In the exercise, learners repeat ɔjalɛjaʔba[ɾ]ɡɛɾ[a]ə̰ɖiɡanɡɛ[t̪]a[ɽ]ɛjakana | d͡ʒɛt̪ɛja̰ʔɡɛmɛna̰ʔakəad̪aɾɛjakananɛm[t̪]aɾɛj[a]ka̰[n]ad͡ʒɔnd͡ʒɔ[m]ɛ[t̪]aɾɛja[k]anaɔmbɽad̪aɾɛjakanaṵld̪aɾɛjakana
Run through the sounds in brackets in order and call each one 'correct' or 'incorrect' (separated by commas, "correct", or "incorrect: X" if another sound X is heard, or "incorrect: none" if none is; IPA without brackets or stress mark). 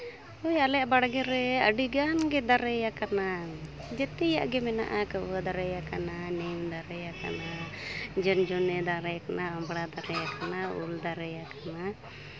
incorrect: ɽ, incorrect: ɛ, incorrect: d̪, incorrect: ɾ, incorrect: d̪, correct, correct, incorrect: n, incorrect: d̪, correct